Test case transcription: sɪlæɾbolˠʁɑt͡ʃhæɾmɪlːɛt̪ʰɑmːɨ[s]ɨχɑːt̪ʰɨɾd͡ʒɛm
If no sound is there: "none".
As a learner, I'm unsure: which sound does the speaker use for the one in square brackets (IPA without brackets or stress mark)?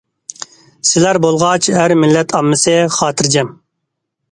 s